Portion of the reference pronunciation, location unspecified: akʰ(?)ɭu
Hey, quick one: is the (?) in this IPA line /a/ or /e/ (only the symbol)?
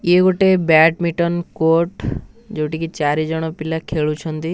e